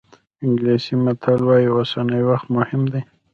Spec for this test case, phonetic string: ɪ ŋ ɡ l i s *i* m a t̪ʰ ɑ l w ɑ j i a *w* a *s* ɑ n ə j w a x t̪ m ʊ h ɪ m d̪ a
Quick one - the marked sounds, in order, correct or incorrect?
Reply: correct, correct, correct

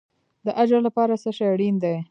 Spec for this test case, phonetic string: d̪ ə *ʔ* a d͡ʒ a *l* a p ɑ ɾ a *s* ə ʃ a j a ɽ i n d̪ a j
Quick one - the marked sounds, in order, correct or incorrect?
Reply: correct, correct, correct

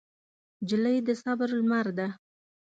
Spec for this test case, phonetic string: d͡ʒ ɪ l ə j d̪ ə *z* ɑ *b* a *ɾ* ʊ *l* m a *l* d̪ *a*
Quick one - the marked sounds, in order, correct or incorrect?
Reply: incorrect, correct, correct, correct, incorrect, correct

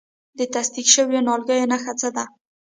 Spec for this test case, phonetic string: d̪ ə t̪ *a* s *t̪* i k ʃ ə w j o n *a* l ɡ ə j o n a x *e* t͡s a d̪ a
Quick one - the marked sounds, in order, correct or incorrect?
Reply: correct, incorrect, incorrect, incorrect

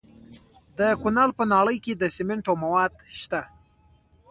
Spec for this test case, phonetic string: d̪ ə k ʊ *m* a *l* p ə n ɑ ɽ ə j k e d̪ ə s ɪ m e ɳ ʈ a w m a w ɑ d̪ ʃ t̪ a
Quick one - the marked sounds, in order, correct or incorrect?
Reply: incorrect, correct

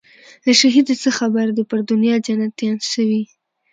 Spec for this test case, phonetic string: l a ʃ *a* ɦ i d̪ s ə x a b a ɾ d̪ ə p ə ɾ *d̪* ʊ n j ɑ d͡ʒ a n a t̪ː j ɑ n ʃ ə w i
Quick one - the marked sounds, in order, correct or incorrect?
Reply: correct, correct

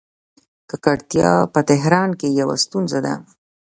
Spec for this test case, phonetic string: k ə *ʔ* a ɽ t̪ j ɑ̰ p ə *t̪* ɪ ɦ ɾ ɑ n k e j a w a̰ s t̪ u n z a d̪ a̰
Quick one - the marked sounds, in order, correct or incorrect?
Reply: incorrect, correct

